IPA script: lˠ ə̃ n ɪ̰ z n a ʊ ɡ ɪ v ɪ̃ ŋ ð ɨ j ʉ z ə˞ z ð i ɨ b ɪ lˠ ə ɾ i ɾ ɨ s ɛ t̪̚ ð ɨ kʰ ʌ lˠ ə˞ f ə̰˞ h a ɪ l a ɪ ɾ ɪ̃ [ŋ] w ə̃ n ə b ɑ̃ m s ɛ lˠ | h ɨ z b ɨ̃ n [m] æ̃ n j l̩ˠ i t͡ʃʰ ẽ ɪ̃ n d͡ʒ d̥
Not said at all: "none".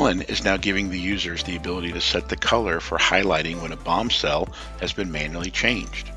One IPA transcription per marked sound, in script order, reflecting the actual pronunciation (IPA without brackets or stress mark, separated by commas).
ŋ, m